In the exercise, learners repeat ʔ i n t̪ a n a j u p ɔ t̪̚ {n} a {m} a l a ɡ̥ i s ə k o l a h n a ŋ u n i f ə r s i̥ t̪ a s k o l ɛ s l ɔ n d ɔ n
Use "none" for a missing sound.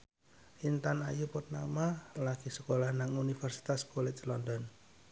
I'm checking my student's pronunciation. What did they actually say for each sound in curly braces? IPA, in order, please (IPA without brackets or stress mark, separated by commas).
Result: n, m